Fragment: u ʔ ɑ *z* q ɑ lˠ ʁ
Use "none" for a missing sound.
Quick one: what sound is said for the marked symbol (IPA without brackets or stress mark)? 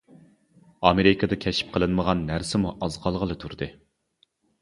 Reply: z